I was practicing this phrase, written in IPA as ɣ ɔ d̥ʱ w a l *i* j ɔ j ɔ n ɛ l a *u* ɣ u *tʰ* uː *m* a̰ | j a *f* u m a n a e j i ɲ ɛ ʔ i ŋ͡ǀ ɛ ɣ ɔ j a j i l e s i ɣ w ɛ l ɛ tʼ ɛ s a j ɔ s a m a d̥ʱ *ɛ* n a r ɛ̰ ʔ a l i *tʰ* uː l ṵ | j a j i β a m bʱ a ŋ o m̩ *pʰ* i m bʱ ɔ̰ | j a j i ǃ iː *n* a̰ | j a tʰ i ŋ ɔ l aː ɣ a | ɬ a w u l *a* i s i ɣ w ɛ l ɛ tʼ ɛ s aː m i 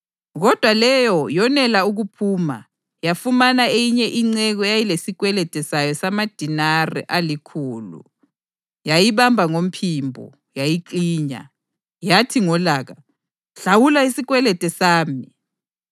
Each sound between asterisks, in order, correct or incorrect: incorrect: ɛ, correct, incorrect: pʰ, correct, correct, incorrect: i, incorrect: kʰ, correct, incorrect: ɲ, correct

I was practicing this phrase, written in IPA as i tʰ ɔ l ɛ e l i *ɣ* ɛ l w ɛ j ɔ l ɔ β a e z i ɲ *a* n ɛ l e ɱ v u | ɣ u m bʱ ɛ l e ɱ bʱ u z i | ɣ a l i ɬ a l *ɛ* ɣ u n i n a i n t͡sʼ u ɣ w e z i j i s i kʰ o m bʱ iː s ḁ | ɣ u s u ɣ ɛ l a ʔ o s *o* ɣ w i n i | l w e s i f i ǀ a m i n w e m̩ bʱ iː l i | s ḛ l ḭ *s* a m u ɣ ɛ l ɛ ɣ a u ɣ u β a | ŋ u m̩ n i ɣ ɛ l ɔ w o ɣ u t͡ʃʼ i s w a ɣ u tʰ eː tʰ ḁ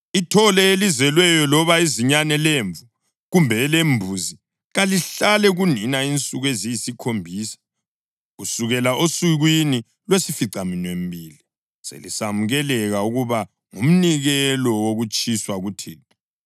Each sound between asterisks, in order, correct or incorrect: incorrect: z, correct, correct, incorrect: u, correct

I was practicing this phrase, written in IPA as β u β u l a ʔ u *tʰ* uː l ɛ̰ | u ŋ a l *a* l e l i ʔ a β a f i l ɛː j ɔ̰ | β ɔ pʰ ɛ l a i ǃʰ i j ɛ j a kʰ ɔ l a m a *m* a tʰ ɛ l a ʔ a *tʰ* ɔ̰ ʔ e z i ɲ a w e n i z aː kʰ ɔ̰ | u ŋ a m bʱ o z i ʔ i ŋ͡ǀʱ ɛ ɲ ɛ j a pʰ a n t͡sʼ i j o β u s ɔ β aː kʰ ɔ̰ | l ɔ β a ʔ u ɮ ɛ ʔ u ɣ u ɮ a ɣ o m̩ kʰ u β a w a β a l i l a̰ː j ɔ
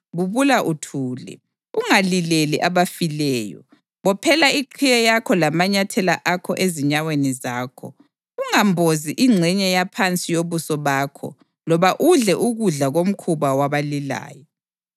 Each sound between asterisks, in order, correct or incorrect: correct, incorrect: i, incorrect: ɲ, incorrect: kʰ

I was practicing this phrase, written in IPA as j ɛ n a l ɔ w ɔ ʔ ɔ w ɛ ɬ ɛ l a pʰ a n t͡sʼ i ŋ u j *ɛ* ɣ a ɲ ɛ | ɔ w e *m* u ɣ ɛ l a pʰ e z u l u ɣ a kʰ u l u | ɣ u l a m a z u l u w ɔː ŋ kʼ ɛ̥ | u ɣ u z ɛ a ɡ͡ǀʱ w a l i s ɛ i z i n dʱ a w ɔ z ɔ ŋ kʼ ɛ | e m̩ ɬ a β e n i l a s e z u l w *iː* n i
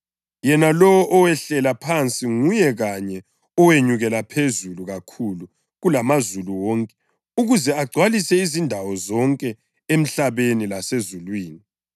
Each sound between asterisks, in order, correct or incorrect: correct, incorrect: ɲ, correct

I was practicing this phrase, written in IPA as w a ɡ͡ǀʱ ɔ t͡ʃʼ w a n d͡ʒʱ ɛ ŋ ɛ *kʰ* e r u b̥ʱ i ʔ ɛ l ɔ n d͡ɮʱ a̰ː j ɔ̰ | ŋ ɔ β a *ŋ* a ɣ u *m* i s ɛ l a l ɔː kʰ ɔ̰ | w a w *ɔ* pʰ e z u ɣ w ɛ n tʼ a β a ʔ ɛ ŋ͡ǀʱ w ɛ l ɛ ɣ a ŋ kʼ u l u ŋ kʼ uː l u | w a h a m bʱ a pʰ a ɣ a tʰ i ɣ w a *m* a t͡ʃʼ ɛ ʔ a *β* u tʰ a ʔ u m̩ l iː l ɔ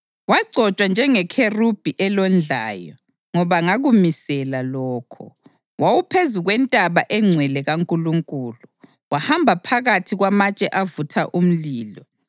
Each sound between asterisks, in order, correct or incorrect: correct, correct, correct, incorrect: u, correct, incorrect: v

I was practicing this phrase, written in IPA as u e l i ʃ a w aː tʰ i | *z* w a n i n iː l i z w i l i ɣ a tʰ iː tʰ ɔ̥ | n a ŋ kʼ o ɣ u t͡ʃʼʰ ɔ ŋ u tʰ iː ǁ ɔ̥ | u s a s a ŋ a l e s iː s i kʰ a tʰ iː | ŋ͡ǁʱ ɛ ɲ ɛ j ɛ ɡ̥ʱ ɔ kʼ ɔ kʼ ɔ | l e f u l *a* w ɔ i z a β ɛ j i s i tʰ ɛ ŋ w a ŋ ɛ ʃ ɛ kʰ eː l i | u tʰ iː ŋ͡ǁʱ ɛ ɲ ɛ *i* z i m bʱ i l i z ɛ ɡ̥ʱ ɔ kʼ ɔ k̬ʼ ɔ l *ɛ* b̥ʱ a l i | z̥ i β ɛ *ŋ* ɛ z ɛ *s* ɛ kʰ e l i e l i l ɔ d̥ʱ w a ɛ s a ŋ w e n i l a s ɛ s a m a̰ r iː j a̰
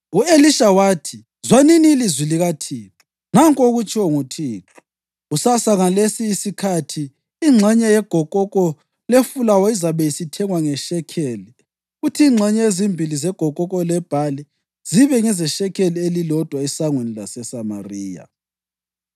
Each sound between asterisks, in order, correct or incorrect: correct, correct, incorrect: e, correct, correct, incorrect: ʃ

